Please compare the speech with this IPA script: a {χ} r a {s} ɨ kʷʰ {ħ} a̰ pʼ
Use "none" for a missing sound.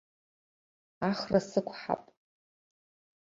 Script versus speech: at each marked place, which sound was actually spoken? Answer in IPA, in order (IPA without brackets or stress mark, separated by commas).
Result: χ, s, ħ